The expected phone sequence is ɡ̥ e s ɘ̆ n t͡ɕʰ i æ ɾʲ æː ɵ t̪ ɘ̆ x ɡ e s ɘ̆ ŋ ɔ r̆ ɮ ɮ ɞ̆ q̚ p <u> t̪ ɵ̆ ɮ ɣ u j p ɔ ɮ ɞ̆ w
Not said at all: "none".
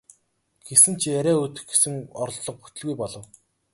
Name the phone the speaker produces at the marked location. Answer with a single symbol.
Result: u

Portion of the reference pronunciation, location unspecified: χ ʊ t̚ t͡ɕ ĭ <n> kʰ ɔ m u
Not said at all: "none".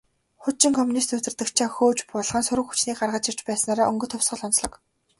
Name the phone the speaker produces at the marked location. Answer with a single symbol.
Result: ŋ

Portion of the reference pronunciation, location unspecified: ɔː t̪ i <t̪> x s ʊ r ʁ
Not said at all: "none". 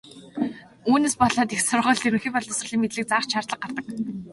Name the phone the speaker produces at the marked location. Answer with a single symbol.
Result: none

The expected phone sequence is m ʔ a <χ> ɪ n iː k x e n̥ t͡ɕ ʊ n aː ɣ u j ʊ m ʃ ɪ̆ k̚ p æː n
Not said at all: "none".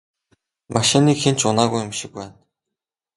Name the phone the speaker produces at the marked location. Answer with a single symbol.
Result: ʃ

